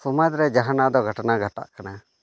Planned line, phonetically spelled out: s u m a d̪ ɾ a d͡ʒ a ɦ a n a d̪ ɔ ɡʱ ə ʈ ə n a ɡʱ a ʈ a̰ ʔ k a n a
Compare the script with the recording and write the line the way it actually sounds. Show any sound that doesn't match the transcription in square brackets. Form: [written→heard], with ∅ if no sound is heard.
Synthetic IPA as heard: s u m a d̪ ɾ [a→ɛ] d͡ʒ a ɦ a n a d̪ ɔ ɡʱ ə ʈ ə n a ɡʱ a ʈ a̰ ʔ k a n a